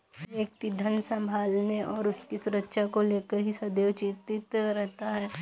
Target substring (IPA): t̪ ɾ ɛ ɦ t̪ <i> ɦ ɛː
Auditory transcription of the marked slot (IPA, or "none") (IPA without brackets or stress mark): a